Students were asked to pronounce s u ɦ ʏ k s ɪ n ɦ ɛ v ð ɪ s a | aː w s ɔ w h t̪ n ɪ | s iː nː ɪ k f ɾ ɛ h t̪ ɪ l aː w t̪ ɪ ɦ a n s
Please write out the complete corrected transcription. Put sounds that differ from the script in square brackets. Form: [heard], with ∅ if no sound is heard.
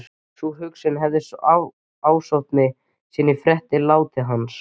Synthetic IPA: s u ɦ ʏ k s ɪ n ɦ ɛ v ð ɪ s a | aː w s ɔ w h t̪ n ɪ | s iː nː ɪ [∅] f ɾ ɛ h t̪ ɪ l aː w t̪ ɪ ɦ a n s